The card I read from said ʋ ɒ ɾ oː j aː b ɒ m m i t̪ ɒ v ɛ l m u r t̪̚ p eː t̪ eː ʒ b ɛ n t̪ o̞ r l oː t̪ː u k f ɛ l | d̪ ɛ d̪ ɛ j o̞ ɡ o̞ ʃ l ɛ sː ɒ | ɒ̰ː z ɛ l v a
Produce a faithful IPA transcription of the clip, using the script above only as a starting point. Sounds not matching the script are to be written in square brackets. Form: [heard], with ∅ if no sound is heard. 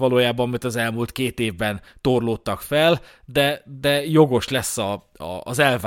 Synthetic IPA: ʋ ɒ [l] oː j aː b ɒ m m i t̪ ɒ [z] ɛ l m u [l] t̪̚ [k] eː t̪ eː [v] b ɛ n t̪ o̞ r l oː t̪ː [ɒ] k f ɛ l | d̪ ɛ d̪ ɛ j o̞ ɡ o̞ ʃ l ɛ sː ɒ | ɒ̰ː z ɛ l v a